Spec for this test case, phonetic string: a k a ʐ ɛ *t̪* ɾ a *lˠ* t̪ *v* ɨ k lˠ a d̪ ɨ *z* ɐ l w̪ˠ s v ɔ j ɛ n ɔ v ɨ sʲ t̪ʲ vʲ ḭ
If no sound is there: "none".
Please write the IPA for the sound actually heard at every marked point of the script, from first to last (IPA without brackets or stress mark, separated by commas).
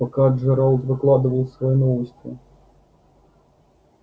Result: none, lˠ, v, v